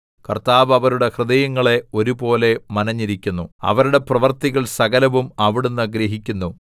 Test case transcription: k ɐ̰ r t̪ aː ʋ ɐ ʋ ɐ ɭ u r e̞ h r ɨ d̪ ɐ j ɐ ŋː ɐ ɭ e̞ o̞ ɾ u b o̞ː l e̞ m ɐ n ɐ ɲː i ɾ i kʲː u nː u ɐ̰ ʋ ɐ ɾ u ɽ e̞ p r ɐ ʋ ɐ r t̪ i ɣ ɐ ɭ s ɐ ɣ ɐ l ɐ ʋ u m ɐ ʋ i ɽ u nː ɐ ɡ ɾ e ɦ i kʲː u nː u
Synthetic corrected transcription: k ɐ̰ r t̪ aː ʋ ɐ ʋ ɐ ɾ u ɽ e̞ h r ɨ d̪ ɐ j ɐ ŋː ɐ ɭ e̞ o̞ ɾ u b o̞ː l e̞ m ɐ n ɐ ɲː i ɾ i kʲː u nː u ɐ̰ ʋ ɐ ɾ u ɽ e̞ p r ɐ ʋ ɐ r t̪ i ɣ ɐ ɭ s ɐ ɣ ɐ l ɐ ʋ u m ɐ ʋ i ɽ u nː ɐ ɡ ɾ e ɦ i kʲː u nː u

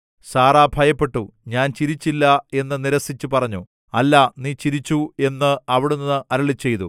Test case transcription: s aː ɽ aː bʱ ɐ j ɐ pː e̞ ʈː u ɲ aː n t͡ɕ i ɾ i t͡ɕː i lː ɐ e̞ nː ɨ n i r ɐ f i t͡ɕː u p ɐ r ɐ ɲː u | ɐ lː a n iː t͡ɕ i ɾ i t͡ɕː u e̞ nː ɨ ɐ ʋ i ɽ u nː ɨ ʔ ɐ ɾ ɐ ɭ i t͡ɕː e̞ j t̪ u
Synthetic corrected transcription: s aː r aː bʱ ɐ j ɐ pː e̞ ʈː u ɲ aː n t͡ɕ i ɾ i t͡ɕː i lː ɐ e̞ nː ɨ n i ɾ ɐ s i t͡ɕː u p ɐ r ɐ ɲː u | ɐ lː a n iː t͡ɕ i ɾ i t͡ɕː u e̞ nː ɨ ɐ ʋ i ɽ u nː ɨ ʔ ɐ ɾ ɐ ɭ i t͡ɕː e̞ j t̪ u

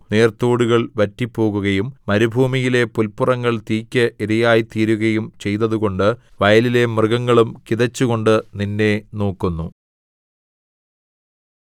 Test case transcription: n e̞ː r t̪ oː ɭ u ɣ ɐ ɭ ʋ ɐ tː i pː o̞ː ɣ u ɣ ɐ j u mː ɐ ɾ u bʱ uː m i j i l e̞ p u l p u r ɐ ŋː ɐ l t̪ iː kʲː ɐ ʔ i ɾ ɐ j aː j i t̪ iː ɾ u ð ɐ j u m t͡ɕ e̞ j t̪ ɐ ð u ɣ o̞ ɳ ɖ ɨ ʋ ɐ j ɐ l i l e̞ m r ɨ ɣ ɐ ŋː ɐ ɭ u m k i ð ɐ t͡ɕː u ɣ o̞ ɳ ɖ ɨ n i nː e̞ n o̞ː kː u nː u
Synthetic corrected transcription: n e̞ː r t̪ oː ɽ u ɣ ɐ ɭ ʋ ɐ tː i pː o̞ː ɣ u ɣ ɐ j u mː ɐ ɾ u bʱ uː m i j i l e̞ p u l p u r ɐ ŋː ɐ ɭ t̪ iː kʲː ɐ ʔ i ɾ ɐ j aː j i t̪ iː ɾ u ɣ ɐ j u m t͡ɕ e̞ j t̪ ɐ ð u ɣ o̞ ɳ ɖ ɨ ʋ ɐ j ɐ l i l e̞ m r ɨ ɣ ɐ ŋː ɐ ɭ u m k i ð ɐ t͡ɕː u ɣ o̞ ɳ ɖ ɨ n i nː e̞ n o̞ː kː u nː u

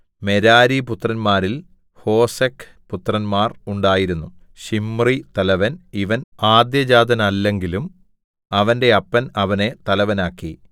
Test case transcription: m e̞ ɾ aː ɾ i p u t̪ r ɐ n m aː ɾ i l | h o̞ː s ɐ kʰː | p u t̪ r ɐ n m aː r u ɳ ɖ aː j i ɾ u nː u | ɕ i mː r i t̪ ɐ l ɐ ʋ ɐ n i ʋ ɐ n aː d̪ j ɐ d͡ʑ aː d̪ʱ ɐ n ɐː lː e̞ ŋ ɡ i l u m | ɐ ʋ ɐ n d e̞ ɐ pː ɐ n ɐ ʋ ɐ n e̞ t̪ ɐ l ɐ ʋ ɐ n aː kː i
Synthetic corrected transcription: m e̞ ɾ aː ɾ i p u t̪ r ɐ n m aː ɾ i l | h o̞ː s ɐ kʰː | p u t̪ r ɐ n m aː r u ɳ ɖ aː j i ɾ u nː u | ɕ i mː r i t̪ ɐ l ɐ ʋ ɐ n i ʋ ɐ n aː d̪ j ɐ d͡ʑ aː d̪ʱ ɐ n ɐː lː e̞ ŋ ɡ i l u m | ɐ ʋ ɐ n d e̞ ɐ pː ɐ n ɐ ʋ ɐ n e̞ t̪ ɐ l ɐ ʋ ɐ n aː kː i

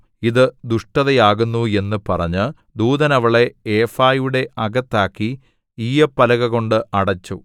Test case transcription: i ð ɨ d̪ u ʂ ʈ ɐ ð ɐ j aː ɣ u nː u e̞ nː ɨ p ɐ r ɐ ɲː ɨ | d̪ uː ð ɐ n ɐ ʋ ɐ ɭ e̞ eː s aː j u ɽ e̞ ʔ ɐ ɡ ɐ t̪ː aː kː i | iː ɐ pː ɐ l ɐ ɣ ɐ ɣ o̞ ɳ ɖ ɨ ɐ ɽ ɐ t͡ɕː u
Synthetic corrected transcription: i ð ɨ d̪ u ʂ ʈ ɐ ð ɐ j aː ɣ u nː u e̞ nː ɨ p ɐ r ɐ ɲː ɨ | d̪ uː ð ɐ n ɐ ʋ ɐ ɭ e̞ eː f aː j u ɽ e̞ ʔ ɐ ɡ ɐ t̪ː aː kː i | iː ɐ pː ɐ l ɐ ɣ ɐ ɣ o̞ ɳ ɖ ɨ ɐ ɽ ɐ t͡ɕː u

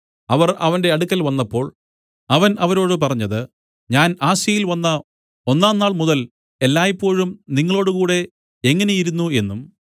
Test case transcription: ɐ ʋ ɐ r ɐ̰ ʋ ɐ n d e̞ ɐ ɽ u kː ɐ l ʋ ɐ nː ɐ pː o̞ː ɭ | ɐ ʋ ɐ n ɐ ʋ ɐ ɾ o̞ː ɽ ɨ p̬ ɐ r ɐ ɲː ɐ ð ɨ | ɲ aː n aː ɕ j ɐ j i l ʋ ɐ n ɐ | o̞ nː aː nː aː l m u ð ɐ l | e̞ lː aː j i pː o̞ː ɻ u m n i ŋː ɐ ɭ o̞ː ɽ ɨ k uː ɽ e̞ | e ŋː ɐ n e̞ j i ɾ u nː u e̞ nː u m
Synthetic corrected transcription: ɐ ʋ ɐ r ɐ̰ ʋ ɐ n d e̞ ɐ ɽ u kː ɐ l ʋ ɐ nː ɐ pː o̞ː ɭ | ɐ ʋ ɐ n ɐ ʋ ɐ ɾ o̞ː ɽ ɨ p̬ ɐ r ɐ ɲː ɐ ð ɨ | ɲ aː n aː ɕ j ɐ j i l ʋ ɐ nː ɐ | o̞ nː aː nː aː ɭ m u ð ɐ l | e̞ lː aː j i pː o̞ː ɻ u m n i ŋː ɐ ɭ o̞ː ɽ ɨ k uː ɽ e̞ | e ŋː ɐ n e̞ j i ɾ u nː u e̞ nː u m

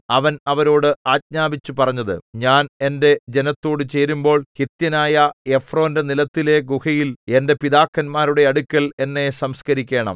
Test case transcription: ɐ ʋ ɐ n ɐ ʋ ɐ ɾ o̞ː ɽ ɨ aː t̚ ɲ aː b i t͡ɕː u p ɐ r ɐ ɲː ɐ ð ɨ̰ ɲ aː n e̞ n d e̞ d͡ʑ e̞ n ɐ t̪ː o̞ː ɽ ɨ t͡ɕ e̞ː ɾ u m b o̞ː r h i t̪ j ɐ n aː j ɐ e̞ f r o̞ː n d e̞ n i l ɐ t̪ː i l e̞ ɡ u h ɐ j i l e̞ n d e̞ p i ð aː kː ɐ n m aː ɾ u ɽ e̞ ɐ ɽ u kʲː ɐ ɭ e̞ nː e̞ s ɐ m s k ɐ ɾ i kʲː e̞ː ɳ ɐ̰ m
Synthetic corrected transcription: ɐ ʋ ɐ n ɐ ʋ ɐ ɾ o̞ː ɽ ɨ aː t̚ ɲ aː b i t͡ɕː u p ɐ r ɐ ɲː ɐ ð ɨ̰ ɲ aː n e̞ n d e̞ d͡ʑ e̞ n ɐ t̪ː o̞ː ɽ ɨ t͡ɕ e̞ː ɾ u m b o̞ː ɭ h i t̪ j ɐ n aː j ɐ e̞ f r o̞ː n d e̞ n i l ɐ t̪ː i l e̞ ɡ u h ɐ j i l e̞ n d e̞ p i ð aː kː ɐ n m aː ɾ u ɽ e̞ ɐ ɽ u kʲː ɐ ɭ e̞ nː e̞ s ɐ m s k ɐ ɾ i kʲː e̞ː ɳ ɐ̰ m

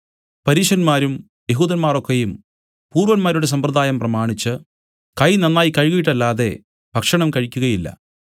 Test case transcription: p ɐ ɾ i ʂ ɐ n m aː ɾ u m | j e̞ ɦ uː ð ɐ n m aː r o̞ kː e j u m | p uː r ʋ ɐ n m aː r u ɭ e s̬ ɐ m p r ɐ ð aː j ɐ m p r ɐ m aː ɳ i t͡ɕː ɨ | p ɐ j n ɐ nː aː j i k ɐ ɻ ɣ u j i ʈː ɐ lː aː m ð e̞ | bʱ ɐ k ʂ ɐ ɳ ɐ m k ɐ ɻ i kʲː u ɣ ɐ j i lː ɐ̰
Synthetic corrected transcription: p ɐ ɾ iː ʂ ɐ n m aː ɾ u m | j e̞ ɦ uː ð ɐ n m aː r o̞ kː e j u m | p uː r ʋ ɐ n m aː ɾ u ɽ e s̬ ɐ m p r ɐ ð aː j ɐ m p r ɐ m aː ɳ i t͡ɕː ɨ | k ɐ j n ɐ nː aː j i k ɐ ɻ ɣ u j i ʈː ɐ lː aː ð e̞ | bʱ ɐ k ʂ ɐ ɳ ɐ m k ɐ ɻ i kʲː u ɣ ɐ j i lː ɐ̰

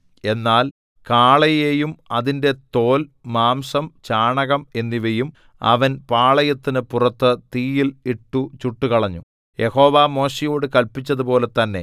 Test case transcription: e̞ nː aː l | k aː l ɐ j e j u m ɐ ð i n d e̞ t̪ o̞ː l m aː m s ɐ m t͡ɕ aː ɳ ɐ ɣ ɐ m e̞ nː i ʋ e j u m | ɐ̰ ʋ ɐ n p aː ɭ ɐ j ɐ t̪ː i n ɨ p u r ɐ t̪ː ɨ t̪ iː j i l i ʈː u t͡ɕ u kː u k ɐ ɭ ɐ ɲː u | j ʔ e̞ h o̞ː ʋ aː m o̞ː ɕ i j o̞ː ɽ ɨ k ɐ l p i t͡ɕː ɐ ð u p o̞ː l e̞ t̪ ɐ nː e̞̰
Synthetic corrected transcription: e̞ nː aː l | k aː ɭ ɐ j e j u m ɐ ð i n d e̞ t̪ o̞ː l m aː m s ɐ m t͡ɕ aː ɳ ɐ ɣ ɐ m e̞ nː i ʋ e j u m | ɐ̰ ʋ ɐ n p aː ɭ ɐ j ɐ t̪ː i n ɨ p u r ɐ t̪ː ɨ t̪ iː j i l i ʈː u t͡ɕ u ʈː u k ɐ ɭ ɐ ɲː u | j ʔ e̞ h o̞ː ʋ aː m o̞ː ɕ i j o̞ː ɽ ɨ k ɐ l p i t͡ɕː ɐ ð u p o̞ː l e̞ t̪ ɐ nː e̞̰

